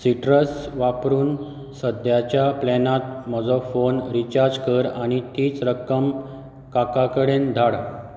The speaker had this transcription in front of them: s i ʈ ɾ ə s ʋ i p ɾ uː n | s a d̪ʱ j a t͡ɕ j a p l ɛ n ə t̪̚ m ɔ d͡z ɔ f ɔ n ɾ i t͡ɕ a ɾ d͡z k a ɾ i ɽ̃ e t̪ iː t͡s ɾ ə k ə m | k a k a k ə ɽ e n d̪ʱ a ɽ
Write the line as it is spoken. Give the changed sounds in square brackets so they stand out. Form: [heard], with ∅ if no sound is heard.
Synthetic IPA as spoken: s i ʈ ɾ ə s ʋ [a] p ɾ uː n | s [ə] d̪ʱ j a t͡ɕ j a p l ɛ n [a] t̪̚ m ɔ d͡z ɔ f [o] n ɾ i t͡ɕ a ɾ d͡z k [ə] ɾ [a] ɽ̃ [i] t̪ iː t͡s ɾ ə k ə m | k a k a k ə ɽ e n d̪ʱ a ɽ